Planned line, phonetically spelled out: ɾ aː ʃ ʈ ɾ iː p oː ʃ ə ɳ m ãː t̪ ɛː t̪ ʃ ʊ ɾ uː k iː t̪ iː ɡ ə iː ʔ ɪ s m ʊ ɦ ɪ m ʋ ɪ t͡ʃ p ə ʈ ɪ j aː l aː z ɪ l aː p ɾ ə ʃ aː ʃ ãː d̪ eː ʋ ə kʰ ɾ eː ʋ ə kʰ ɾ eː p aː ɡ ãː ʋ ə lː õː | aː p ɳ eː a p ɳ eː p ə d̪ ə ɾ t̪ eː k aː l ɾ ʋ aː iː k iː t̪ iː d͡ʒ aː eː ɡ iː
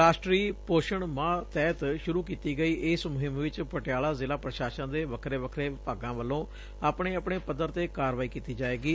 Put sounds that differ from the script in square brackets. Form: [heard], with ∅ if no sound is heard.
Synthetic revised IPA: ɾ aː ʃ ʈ ɾ iː p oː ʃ ə ɳ m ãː t̪ ɛː t̪ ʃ ʊ ɾ uː k iː t̪ iː ɡ ə iː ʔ ɪ s m ʊ ɦ ɪ m ʋ ɪ t͡ʃ p ə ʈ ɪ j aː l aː z ɪ l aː p ɾ ə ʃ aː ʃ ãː d̪ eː ʋ ə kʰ ɾ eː ʋ ə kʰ ɾ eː p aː ɡ ãː ʋ ə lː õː | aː p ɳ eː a p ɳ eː p ə d̪ ə ɾ t̪ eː k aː [∅] ɾ ʋ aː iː k iː t̪ iː d͡ʒ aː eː ɡ iː